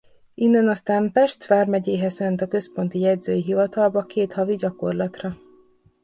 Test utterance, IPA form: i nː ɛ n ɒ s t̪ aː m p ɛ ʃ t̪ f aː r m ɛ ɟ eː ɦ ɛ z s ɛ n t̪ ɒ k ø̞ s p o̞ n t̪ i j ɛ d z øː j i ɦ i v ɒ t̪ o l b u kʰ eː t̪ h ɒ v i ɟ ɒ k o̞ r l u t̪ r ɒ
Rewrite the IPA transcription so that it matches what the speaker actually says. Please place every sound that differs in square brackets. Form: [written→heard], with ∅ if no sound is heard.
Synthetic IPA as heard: i nː ɛ n ɒ s t̪ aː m p ɛ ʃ t̪ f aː r m ɛ ɟ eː ɦ ɛ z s ɛ n t̪ ɒ k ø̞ s p o̞ n t̪ i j ɛ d z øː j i ɦ i v ɒ t̪ [o→ɒ] l b [u→ɒ] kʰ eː t̪ h ɒ v i ɟ ɒ k o̞ r l [u→ɒ] t̪ r ɒ